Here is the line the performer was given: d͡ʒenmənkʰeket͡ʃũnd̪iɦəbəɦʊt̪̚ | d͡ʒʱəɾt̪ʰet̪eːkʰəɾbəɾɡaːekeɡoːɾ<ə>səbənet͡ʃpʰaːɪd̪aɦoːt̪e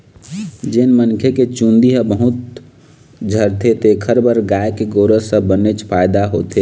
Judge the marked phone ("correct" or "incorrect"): correct